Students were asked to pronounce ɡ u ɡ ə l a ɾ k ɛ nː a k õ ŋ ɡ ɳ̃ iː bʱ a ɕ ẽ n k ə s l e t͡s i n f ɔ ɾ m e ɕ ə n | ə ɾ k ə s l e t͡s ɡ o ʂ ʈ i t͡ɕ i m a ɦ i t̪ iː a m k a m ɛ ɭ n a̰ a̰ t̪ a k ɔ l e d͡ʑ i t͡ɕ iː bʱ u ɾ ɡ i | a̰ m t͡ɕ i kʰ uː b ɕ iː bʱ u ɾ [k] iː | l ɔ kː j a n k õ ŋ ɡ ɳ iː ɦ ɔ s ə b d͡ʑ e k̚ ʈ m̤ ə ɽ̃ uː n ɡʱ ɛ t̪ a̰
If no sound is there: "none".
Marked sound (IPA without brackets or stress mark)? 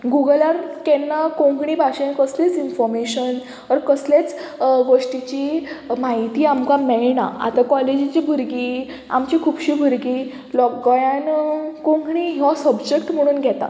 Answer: ɡ